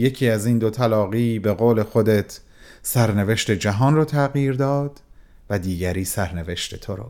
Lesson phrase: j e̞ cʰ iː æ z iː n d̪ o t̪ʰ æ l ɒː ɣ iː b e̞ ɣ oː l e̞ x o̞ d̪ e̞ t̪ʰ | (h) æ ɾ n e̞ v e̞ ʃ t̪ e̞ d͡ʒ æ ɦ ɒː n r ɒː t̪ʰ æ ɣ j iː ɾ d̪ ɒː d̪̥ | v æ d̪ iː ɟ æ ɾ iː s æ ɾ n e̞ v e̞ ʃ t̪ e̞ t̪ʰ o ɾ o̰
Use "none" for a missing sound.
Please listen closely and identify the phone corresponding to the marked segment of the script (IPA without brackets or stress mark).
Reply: s